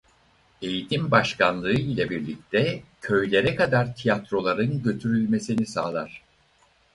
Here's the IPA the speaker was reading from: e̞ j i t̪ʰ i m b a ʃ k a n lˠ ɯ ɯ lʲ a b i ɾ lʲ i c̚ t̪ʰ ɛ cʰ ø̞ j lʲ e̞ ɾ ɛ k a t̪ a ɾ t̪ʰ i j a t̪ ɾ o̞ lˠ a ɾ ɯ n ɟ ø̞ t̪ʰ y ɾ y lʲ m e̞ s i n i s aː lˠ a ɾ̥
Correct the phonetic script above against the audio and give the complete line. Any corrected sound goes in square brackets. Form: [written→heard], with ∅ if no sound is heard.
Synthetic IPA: e̞ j i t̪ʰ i m b a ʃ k a n lˠ ɯ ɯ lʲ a b i ɾ lʲ i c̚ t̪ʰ ɛ cʰ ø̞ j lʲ e̞ ɾ ɛ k a [t̪→d̪] a ɾ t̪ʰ i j a t̪ ɾ o̞ lˠ a ɾ ɯ n ɟ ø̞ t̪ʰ y ɾ y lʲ m e̞ s i n i s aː lˠ a ɾ̥